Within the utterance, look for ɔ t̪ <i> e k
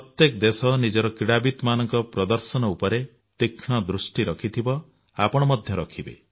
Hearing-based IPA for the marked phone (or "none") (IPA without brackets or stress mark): j